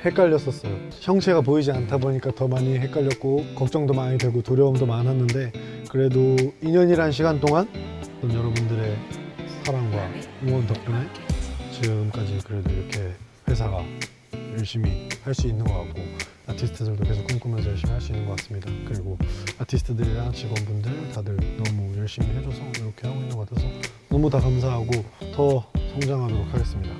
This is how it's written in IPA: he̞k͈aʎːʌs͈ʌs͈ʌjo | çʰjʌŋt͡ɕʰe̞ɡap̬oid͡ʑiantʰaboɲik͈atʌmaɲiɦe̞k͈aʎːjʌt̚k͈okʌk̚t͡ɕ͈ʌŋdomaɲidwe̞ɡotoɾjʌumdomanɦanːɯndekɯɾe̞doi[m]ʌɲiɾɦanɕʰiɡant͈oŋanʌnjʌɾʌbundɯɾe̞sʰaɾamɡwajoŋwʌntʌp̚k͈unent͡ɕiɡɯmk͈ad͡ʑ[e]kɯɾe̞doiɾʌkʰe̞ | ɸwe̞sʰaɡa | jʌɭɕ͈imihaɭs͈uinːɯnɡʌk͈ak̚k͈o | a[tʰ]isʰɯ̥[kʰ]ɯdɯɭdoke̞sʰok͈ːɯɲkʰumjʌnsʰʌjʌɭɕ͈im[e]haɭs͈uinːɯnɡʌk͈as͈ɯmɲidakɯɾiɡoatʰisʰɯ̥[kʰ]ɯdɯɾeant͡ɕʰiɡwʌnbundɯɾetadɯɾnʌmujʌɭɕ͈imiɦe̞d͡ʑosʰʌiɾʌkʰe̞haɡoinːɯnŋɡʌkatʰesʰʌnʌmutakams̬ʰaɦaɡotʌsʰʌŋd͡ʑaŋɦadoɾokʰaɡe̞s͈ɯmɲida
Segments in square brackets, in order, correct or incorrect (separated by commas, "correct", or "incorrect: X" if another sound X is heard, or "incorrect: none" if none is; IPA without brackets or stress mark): incorrect: ɲ, incorrect: i, correct, incorrect: tʰ, incorrect: i, incorrect: tʰ